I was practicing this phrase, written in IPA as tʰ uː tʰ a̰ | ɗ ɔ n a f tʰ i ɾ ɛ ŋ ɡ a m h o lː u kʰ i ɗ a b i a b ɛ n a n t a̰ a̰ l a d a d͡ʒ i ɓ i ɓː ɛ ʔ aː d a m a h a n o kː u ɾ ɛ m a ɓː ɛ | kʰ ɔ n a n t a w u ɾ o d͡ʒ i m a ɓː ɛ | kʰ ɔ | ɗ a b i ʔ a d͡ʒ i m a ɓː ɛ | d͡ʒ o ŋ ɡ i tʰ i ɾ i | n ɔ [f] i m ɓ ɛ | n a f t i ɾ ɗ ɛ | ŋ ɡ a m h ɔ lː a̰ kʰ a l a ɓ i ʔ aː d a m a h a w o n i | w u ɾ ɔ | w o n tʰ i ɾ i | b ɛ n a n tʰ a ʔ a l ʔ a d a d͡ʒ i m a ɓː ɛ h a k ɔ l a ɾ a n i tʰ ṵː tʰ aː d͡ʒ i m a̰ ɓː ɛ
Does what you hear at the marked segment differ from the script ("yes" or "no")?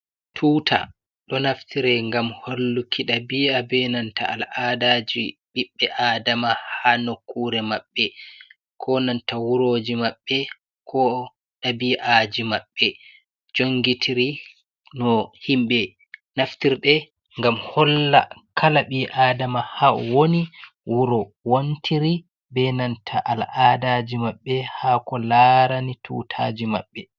yes